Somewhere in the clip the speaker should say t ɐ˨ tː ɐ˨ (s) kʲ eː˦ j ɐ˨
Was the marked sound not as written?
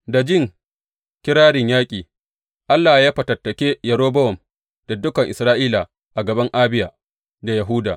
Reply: yes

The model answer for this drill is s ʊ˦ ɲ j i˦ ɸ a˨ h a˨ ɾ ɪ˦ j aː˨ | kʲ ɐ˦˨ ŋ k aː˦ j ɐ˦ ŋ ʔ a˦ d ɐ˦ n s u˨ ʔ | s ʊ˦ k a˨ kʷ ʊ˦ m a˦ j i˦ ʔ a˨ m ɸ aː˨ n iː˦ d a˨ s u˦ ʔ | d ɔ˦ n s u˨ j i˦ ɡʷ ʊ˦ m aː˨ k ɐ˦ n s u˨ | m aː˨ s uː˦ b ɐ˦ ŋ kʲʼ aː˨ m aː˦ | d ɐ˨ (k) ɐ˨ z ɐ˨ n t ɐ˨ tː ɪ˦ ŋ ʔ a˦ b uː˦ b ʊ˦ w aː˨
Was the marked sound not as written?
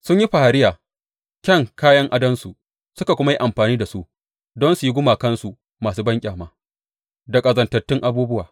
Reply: yes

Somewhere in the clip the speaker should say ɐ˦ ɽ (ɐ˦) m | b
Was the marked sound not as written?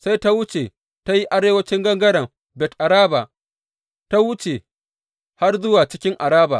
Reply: yes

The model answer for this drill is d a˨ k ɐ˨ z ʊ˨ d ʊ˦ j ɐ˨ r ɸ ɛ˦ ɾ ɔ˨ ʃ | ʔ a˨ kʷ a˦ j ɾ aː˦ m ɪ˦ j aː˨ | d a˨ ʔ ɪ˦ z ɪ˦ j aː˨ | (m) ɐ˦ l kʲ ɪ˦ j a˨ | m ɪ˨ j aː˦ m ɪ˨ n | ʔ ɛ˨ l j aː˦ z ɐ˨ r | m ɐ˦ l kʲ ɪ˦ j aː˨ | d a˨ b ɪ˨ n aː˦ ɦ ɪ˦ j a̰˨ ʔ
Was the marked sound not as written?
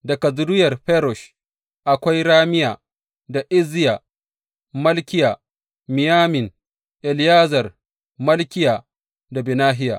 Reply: no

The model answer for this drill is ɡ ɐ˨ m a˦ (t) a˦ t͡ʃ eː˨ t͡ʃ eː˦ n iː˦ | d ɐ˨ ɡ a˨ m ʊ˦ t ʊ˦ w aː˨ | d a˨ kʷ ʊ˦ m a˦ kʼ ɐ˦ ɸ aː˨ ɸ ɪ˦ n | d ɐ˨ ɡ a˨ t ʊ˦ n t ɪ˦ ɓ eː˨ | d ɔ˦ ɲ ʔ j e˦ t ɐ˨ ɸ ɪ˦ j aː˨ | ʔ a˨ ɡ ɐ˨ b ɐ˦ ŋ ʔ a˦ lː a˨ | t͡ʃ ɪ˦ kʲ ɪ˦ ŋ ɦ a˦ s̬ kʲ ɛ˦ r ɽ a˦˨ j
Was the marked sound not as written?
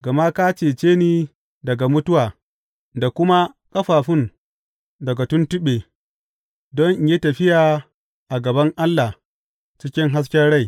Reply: yes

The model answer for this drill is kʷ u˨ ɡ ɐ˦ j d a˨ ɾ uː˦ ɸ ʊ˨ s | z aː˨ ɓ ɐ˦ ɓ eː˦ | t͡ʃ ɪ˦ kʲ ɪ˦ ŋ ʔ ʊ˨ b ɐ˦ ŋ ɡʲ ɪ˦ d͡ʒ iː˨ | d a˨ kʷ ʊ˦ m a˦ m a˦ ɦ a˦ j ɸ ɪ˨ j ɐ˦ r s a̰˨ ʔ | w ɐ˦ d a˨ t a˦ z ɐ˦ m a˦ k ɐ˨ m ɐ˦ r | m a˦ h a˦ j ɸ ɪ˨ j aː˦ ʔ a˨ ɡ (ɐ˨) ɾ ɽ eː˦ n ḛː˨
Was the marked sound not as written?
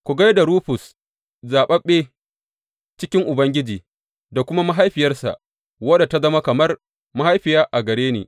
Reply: no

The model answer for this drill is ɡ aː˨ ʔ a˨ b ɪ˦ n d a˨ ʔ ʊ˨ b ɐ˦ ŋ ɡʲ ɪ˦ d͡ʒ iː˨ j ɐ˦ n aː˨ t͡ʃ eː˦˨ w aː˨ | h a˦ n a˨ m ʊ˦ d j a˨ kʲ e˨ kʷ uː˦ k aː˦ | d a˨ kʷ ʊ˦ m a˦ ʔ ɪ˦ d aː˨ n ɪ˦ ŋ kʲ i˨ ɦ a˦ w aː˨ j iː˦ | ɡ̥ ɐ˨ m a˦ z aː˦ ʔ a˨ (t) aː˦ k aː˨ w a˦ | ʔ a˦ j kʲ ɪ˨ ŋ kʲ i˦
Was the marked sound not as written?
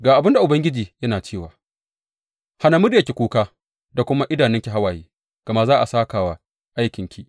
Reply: yes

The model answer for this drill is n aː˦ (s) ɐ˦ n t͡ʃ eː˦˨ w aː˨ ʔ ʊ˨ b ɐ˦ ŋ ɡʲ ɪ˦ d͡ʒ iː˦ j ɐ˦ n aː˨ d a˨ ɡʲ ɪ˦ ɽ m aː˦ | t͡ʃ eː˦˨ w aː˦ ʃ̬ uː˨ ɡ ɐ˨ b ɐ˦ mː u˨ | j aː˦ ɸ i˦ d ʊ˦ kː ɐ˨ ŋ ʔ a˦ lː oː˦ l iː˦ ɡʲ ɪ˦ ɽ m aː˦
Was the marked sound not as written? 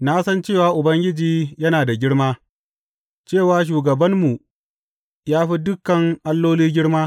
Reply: no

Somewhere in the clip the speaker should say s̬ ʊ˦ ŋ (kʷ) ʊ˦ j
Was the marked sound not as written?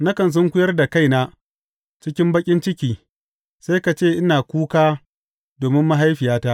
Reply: no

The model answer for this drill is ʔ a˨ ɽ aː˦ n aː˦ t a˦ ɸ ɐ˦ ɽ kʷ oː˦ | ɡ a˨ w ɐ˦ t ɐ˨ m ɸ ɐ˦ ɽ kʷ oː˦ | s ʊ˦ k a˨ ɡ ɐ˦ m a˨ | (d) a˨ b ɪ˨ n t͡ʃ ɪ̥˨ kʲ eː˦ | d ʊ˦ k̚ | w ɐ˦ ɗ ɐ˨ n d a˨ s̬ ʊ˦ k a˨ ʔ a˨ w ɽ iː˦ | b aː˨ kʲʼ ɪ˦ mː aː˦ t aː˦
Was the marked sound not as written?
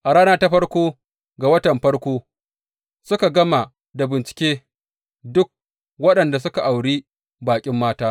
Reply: no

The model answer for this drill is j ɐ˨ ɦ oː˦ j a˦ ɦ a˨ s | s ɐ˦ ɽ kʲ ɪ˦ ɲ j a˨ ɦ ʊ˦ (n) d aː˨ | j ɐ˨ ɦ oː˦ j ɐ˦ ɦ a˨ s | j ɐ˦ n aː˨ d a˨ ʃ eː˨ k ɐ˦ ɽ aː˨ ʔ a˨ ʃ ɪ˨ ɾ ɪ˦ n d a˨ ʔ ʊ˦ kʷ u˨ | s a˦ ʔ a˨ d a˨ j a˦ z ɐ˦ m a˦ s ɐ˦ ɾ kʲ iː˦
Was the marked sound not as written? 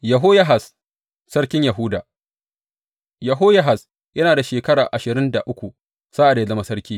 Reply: yes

